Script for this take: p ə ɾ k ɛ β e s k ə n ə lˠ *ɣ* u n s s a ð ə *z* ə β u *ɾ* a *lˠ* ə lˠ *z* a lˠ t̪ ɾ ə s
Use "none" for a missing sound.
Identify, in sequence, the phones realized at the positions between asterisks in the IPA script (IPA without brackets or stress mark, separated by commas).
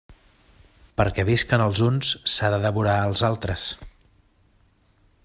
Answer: z, ð, ɾ, none, z